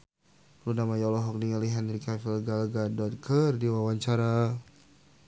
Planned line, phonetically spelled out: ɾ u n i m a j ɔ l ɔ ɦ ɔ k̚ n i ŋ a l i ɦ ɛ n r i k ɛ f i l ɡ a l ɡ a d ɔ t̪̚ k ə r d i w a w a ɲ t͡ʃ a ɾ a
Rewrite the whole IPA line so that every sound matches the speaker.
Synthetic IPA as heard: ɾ u n a m a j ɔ l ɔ ɦ ɔ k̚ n i ŋ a l i ɦ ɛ n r i k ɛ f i l ɡ a l ɡ a d ɔ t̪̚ k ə r d i w a w a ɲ t͡ʃ a ɾ a